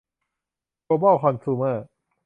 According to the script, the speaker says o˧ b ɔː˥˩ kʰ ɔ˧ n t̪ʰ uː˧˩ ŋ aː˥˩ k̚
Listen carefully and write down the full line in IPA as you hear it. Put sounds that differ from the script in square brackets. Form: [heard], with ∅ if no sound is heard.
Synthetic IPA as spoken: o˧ b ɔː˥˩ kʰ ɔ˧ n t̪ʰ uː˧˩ [m] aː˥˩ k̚